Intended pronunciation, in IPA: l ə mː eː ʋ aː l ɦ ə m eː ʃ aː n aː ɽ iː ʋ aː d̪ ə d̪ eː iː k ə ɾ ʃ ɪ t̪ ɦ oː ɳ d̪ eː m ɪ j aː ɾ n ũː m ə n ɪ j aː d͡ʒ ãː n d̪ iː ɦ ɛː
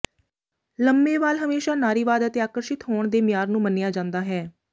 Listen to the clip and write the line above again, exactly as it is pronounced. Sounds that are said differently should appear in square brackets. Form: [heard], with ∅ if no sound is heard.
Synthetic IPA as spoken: l ə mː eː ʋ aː l ɦ ə m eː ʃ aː n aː [ɾ] iː ʋ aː d̪ ə [t̪] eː [aː] k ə ɾ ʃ ɪ t̪ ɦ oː ɳ d̪ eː m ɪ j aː ɾ n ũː m ə n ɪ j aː d͡ʒ ãː n d̪ [aː] ɦ ɛː